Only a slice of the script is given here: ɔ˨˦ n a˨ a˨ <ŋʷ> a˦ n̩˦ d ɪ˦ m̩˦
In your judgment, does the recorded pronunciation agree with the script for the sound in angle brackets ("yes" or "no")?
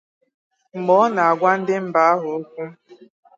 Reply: no